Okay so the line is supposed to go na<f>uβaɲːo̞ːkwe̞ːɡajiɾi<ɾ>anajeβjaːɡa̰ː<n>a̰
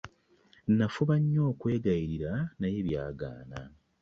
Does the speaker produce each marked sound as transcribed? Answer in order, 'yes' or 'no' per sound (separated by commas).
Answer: yes, yes, yes